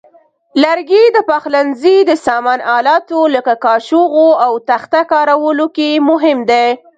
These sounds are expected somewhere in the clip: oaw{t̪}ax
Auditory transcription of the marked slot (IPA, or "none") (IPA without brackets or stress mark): t̪